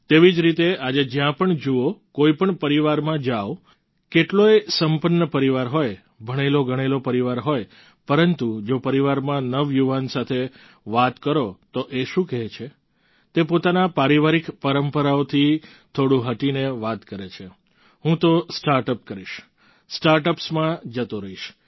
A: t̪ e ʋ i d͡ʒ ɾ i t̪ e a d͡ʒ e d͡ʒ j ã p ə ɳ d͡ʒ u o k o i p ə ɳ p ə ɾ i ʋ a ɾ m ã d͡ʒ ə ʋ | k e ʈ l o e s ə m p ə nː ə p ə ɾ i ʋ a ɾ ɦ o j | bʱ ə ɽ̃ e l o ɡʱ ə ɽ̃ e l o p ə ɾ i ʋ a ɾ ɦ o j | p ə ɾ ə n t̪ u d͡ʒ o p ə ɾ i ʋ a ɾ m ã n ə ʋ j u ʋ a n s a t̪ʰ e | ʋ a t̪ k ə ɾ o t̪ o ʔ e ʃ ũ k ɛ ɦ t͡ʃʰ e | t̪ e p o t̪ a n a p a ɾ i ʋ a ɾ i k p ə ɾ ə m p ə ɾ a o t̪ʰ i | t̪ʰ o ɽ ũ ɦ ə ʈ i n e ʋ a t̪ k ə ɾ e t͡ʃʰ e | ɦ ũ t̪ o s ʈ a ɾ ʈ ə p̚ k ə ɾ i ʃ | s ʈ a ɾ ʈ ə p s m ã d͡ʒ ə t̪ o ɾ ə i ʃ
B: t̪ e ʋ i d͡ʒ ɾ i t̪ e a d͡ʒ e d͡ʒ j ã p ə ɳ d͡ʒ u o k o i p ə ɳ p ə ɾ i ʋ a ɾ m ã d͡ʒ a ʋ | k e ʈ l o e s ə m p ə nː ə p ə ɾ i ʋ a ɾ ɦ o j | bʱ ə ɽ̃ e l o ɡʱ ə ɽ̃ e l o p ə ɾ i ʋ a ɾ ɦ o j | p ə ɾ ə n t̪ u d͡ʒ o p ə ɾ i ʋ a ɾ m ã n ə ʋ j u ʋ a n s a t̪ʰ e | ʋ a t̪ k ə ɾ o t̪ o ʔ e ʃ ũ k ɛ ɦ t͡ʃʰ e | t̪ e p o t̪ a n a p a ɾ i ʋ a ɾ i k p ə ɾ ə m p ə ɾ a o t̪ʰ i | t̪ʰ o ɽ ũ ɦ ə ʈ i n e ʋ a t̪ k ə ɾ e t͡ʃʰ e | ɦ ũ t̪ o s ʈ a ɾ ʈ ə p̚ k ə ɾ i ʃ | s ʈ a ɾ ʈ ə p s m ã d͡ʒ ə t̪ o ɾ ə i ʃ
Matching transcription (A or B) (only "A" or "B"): B